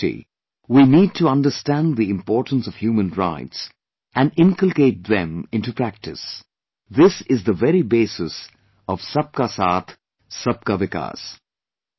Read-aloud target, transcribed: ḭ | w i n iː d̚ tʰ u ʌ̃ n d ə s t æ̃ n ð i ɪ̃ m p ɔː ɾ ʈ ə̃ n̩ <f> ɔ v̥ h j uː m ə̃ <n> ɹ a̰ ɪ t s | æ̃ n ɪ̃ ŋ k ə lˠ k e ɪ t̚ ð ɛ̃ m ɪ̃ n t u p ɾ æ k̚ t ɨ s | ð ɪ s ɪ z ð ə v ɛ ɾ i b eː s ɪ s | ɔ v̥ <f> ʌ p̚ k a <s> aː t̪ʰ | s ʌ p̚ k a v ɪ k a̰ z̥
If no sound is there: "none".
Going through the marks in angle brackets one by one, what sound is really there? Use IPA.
s, n, s, s

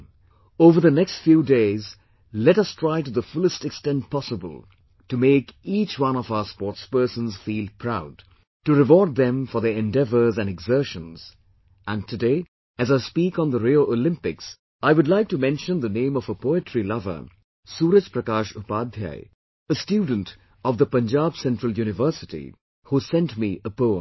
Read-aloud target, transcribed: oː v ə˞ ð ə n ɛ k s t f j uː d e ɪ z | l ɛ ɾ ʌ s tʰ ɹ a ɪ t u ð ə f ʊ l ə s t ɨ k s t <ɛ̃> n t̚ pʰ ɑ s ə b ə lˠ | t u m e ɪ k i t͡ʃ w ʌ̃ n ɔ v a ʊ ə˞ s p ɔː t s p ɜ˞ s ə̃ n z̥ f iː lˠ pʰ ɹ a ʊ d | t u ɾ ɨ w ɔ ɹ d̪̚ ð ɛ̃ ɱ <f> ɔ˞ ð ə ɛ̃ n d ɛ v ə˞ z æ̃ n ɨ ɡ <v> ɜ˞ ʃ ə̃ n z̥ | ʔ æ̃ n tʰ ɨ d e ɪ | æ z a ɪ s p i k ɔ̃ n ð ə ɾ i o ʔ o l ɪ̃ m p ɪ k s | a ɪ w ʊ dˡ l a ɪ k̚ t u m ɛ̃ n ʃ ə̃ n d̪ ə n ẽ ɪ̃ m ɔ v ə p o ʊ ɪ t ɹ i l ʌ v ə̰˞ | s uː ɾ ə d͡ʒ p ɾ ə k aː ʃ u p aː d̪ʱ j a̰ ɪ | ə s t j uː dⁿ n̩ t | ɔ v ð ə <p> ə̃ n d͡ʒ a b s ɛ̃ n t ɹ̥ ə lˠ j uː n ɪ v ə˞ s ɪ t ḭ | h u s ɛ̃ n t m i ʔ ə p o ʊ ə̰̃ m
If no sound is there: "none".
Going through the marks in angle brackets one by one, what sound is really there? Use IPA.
ɛ̃, f, z, p

